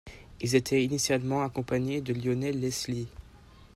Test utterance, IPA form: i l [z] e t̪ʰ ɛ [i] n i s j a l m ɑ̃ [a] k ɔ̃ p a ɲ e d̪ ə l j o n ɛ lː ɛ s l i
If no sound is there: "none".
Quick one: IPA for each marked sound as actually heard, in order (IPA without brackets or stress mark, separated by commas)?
z, i, a